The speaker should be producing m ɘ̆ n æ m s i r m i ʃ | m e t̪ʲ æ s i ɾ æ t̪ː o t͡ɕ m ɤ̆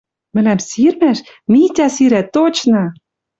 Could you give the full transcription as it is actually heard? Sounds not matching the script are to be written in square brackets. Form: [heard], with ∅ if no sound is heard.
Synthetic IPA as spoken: m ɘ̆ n æ m s i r m [æ] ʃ | m [i] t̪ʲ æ s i ɾ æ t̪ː o t͡ɕ [n] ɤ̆